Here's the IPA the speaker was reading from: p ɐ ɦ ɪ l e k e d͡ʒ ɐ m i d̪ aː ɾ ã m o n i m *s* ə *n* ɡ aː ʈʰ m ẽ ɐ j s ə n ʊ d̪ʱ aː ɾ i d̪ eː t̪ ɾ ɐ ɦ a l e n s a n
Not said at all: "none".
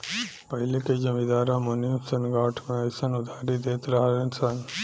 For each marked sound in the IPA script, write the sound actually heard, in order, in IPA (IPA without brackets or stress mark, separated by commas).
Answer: s, n